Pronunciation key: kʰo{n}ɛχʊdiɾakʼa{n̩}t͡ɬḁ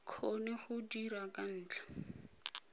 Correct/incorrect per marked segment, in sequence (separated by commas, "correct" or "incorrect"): correct, incorrect